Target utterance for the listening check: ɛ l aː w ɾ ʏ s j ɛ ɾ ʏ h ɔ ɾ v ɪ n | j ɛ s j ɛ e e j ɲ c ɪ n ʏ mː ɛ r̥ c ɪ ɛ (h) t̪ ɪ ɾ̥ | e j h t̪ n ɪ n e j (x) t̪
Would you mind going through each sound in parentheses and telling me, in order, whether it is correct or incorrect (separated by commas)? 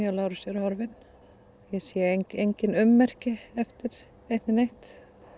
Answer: incorrect, incorrect